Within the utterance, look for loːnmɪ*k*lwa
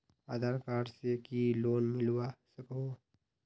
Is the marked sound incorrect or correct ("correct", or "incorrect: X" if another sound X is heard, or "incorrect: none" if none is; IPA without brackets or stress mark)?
incorrect: none